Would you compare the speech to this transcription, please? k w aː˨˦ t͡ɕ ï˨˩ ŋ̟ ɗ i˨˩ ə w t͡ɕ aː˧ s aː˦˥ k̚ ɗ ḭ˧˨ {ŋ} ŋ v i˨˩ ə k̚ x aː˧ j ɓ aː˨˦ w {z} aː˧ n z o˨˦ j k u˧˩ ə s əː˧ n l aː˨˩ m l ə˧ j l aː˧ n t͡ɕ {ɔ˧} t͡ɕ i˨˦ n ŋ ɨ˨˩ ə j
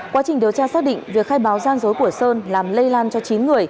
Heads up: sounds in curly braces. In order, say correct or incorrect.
correct, correct, correct

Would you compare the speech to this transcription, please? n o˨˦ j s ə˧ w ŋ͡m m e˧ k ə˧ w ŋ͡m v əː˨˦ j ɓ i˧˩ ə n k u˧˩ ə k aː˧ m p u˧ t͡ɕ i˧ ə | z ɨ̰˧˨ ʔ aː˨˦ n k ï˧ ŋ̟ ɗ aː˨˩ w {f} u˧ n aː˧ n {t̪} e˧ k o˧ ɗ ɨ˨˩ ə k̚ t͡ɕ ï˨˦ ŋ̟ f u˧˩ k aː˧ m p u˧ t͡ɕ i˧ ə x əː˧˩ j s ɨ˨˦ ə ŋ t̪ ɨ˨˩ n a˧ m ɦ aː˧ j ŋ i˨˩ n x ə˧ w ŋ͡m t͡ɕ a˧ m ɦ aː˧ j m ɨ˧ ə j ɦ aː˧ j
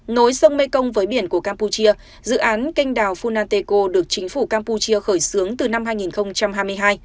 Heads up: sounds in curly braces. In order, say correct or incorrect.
correct, correct

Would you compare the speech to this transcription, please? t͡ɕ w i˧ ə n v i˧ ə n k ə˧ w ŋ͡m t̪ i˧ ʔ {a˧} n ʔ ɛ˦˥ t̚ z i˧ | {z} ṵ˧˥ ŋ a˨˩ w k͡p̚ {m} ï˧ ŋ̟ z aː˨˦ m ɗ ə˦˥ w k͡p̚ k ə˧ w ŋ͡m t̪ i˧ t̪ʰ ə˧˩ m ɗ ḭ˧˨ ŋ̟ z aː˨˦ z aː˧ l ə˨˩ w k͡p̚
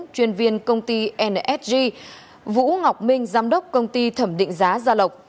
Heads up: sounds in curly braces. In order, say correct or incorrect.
incorrect: ɛ˧, incorrect: v, correct

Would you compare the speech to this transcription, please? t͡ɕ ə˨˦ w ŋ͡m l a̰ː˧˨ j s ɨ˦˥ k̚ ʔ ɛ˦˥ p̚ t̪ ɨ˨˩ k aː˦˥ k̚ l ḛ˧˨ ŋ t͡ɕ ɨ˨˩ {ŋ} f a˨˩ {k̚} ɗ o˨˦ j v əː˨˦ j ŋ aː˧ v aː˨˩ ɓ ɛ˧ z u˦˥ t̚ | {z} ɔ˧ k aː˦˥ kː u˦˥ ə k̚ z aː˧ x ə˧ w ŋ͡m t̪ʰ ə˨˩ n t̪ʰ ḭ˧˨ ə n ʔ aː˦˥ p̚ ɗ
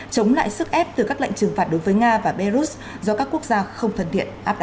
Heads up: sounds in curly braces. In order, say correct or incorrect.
correct, incorrect: t̚, correct

